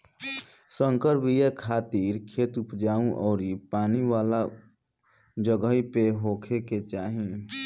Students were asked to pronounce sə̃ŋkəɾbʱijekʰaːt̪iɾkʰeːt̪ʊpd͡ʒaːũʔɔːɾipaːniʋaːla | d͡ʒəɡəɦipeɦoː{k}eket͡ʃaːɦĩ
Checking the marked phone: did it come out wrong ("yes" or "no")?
yes